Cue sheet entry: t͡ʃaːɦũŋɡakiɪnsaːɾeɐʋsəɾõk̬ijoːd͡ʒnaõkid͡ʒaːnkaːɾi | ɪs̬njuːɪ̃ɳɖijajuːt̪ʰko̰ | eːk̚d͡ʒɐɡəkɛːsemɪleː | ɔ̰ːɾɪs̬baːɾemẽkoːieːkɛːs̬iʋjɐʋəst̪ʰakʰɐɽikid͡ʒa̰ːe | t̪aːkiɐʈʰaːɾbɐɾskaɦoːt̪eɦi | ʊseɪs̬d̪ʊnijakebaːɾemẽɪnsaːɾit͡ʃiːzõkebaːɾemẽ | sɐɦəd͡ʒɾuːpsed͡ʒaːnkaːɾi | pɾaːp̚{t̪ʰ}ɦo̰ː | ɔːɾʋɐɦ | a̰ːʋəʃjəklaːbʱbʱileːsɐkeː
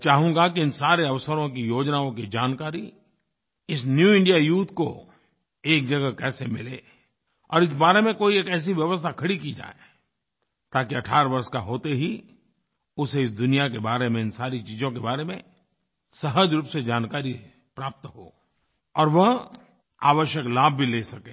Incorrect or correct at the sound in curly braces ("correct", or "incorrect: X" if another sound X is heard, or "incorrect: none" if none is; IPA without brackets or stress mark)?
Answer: incorrect: t̪